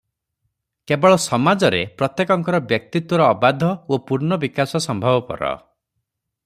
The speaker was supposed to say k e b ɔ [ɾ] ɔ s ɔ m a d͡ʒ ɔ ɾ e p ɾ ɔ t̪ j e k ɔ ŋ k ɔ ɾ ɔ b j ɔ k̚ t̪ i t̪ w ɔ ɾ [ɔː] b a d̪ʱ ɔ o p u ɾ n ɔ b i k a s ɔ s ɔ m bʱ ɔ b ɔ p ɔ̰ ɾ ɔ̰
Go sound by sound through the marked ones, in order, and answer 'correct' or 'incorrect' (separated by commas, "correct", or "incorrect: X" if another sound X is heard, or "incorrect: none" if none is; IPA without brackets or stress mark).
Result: incorrect: ɭ, correct